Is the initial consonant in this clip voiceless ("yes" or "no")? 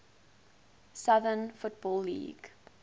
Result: yes